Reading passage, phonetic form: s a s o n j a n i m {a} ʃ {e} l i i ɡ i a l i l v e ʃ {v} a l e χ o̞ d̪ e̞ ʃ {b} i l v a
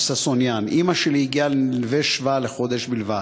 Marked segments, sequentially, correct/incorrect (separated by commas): correct, correct, correct, correct